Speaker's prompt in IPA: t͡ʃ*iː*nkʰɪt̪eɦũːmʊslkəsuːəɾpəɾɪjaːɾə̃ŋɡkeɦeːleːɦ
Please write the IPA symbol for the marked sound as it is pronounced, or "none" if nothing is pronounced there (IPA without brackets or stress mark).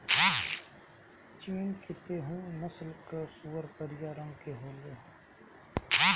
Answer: iː